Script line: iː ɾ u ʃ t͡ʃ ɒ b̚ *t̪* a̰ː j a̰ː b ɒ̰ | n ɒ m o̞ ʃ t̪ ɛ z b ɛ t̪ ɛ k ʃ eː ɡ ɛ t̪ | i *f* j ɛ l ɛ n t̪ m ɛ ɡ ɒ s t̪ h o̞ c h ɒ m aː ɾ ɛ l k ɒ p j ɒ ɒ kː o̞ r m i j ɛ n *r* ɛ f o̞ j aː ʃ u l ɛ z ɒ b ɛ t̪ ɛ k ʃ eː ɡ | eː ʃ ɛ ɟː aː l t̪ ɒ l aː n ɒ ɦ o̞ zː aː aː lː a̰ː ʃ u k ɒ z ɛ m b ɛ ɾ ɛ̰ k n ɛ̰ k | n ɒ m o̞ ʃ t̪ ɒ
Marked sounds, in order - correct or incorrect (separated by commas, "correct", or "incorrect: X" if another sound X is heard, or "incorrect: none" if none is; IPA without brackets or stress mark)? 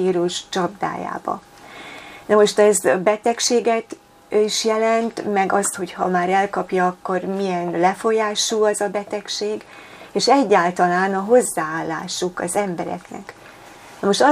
incorrect: d̪, incorrect: ʃ, incorrect: l